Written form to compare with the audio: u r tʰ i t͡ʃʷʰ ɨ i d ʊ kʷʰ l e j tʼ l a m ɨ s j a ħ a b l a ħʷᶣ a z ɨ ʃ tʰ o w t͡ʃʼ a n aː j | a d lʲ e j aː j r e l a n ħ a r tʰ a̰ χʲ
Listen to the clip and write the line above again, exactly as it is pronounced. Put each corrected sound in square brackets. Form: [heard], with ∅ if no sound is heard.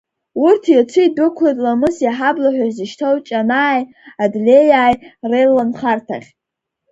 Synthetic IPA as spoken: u r tʰ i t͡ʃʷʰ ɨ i d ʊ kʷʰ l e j tʼ l a m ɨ s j a ħ a b l a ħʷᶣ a z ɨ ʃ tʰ o w t͡ʃʼ a n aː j | a d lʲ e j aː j r e l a n [χ] a r tʰ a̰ χʲ